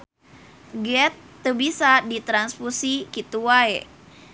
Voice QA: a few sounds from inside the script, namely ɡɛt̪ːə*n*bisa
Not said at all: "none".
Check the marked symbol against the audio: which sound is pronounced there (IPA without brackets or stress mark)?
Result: none